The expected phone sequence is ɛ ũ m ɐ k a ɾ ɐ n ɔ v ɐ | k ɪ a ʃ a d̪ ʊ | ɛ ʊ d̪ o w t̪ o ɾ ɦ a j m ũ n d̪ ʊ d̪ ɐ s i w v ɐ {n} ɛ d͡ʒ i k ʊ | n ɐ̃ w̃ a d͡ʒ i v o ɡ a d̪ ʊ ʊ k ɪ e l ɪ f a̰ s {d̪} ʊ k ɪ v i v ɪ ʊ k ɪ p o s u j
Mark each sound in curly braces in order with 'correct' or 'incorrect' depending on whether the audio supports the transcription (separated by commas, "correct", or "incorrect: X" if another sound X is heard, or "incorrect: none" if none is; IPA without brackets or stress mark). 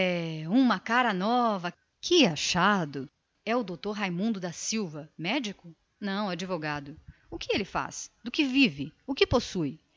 incorrect: m, correct